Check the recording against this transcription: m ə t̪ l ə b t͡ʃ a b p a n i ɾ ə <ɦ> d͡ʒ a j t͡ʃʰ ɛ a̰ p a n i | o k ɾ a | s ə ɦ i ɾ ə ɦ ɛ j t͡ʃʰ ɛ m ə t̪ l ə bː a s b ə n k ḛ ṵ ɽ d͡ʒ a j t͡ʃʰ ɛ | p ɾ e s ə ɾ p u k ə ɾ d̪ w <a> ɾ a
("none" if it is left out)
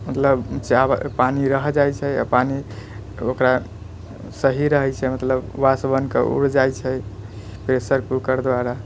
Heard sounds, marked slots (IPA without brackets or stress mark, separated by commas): ɦ, a